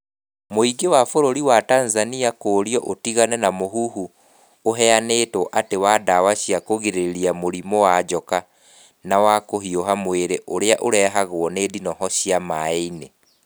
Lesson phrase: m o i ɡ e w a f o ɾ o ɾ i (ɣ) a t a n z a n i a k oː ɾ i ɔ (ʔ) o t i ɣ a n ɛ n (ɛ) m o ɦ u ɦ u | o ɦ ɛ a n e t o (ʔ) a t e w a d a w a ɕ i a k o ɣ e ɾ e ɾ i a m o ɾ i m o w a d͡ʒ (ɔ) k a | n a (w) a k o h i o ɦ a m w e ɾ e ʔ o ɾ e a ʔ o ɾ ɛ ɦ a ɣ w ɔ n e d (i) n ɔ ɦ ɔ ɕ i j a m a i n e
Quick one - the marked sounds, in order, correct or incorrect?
incorrect: w, correct, incorrect: a, correct, correct, correct, correct

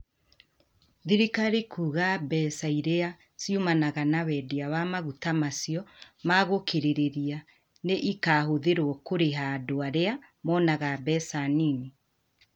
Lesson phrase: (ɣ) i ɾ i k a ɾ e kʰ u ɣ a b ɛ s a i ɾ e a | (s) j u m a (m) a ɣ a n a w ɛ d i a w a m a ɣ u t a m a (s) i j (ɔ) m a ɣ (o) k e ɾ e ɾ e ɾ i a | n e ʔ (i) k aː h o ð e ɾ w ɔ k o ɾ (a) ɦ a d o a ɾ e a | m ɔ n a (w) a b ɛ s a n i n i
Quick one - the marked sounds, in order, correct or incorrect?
incorrect: ð, correct, incorrect: n, correct, correct, correct, correct, incorrect: e, incorrect: ɣ

